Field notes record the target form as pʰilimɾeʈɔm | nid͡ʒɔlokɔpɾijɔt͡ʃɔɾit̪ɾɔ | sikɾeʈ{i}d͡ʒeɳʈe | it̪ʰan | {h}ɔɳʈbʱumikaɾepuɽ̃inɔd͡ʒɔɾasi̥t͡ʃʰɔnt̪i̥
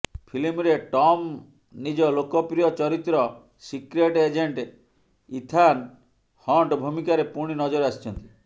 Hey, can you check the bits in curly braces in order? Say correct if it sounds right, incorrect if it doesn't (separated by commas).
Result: incorrect, correct